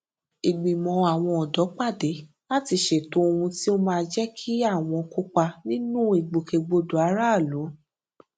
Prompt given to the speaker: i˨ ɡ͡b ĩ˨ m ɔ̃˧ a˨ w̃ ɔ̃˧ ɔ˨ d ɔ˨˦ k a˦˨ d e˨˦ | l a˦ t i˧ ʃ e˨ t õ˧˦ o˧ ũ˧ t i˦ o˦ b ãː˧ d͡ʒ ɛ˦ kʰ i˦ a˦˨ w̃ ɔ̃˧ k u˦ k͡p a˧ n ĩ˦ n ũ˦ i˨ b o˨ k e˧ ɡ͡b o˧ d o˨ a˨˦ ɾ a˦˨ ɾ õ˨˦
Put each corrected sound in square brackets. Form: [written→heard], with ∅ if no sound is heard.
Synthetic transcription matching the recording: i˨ ɡ͡b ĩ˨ m ɔ̃˧ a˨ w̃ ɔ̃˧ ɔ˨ d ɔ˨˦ [k→k͡p] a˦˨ d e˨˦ | l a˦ t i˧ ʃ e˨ t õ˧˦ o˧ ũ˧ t i˦ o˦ [b→m] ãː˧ d͡ʒ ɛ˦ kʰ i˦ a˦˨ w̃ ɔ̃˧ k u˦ k͡p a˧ n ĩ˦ n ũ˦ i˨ [b→ɡ͡b] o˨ k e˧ ɡ͡b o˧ d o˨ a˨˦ ɾ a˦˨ [ɾ→l] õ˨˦

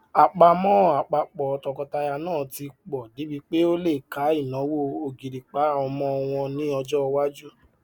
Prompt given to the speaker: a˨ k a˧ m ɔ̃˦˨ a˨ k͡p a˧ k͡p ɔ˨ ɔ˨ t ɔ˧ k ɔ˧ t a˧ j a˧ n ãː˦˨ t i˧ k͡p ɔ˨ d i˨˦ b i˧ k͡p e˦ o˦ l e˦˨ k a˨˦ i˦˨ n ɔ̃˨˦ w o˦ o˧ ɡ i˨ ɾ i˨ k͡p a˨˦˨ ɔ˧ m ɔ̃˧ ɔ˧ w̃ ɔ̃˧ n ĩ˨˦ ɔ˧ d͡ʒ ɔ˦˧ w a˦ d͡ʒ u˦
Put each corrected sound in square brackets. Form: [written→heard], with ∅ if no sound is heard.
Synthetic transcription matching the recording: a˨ [k→k͡p] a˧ m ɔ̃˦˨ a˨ k͡p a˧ k͡p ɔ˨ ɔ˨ t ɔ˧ k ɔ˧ t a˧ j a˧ n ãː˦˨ t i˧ k͡p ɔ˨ d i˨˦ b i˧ k͡p e˦ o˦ l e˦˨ k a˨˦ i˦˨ n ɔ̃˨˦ w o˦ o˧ ɡ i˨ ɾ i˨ k͡p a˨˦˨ ɔ˧ m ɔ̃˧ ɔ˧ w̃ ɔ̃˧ n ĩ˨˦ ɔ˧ d͡ʒ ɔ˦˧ w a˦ d͡ʒ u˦

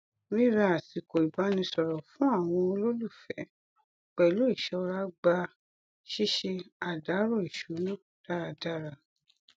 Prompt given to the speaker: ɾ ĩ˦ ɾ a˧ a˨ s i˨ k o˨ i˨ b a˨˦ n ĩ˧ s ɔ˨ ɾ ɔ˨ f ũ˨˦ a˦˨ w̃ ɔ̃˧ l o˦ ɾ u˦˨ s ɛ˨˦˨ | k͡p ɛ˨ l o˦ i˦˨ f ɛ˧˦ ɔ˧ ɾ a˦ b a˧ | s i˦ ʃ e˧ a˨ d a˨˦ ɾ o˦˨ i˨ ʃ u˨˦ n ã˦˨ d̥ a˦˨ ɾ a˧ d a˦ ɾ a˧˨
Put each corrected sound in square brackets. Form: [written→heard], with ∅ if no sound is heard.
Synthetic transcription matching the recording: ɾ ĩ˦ ɾ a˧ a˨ s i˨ k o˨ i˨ b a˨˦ n ĩ˧ s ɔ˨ ɾ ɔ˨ f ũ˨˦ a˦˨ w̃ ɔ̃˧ l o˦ [ɾ→l] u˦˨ [s→f] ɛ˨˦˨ | k͡p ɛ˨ l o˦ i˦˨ [f→ʃ] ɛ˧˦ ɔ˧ ɾ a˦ [b→ɡ͡b] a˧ | [s→ʃ] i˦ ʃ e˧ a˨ d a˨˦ ɾ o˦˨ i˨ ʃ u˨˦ n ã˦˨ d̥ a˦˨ ɾ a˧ d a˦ ɾ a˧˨

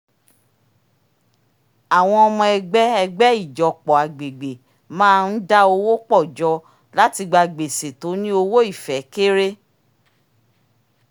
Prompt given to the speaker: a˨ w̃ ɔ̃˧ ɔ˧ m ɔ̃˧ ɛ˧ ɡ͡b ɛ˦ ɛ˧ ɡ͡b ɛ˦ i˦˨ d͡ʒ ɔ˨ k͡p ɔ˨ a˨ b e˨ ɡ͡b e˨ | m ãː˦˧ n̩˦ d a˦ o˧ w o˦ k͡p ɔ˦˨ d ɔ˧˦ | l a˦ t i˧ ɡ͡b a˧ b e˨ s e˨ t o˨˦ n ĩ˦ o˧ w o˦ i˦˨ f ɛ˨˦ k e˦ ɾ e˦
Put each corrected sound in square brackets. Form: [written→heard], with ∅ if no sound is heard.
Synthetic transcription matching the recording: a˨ w̃ ɔ̃˧ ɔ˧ m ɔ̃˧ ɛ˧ ɡ͡b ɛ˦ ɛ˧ ɡ͡b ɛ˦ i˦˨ d͡ʒ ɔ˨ k͡p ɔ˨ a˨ [b→ɡ͡b] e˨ ɡ͡b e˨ | m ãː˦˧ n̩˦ d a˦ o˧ w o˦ k͡p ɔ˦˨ [d→d͡ʒ] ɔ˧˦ | l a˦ t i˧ ɡ͡b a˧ [b→ɡ͡b] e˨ s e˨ t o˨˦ n ĩ˦ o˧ w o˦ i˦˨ f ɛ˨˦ k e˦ ɾ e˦

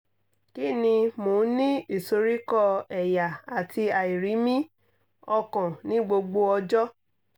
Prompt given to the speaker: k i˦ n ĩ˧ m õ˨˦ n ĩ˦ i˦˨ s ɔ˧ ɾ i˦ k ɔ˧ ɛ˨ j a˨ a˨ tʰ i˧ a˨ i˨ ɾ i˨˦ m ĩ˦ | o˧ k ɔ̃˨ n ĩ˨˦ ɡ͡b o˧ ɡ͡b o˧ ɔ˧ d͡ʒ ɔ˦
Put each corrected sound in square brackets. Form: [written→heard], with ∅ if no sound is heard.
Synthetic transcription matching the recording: k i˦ n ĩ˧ m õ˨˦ n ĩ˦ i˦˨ s [ɔ˧→o˧] ɾ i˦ k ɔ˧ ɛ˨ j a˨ a˨ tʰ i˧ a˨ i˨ ɾ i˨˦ m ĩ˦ | [o˧→ɔ˧] k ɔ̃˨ n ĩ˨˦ ɡ͡b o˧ ɡ͡b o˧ ɔ˧ d͡ʒ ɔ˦

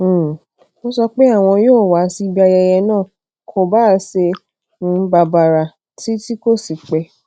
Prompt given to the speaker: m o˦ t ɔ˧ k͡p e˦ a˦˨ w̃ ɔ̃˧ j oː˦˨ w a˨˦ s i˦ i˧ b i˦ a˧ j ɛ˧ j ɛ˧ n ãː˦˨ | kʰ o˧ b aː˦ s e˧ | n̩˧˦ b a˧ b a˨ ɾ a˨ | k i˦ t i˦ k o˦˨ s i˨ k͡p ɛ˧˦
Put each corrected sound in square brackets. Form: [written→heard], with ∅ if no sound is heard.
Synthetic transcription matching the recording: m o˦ [t→s] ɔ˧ k͡p e˦ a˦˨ w̃ ɔ̃˧ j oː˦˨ w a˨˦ s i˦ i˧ b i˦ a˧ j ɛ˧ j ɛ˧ n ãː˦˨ | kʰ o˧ b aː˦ s e˧ | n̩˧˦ b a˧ b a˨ ɾ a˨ | [k→t] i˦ t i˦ k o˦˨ s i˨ k͡p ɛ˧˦

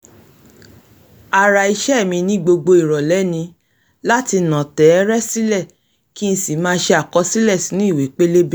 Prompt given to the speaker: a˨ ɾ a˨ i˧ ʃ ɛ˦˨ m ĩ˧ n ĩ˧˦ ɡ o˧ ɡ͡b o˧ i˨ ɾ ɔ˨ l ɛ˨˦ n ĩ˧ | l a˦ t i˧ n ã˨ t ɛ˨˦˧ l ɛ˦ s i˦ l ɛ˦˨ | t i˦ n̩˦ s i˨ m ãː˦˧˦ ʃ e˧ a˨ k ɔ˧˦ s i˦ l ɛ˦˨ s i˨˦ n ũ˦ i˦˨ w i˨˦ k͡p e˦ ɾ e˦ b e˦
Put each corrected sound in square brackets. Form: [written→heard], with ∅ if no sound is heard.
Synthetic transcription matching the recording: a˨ ɾ a˨ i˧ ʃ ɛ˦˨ m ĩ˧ n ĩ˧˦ [ɡ→ɡ͡b] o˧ ɡ͡b o˧ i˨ ɾ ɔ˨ l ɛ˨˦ n ĩ˧ | l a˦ t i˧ n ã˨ t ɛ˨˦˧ [l→ɾ] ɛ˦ s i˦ l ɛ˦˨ | [t→k] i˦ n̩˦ s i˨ m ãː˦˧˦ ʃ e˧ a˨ k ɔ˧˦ s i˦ l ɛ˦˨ s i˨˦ n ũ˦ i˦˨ w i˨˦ k͡p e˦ [ɾ→l] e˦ b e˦

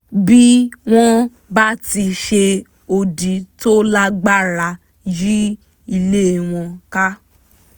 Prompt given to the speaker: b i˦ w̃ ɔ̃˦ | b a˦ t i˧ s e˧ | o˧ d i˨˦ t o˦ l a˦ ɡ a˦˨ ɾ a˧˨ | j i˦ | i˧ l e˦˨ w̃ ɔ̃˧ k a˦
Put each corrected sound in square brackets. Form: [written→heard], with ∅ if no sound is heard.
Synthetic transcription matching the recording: b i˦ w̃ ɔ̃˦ | b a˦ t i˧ [s→ʃ] e˧ | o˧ d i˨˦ t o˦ l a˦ [ɡ→ɡ͡b] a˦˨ ɾ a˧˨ | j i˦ | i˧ l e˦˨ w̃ ɔ̃˧ k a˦

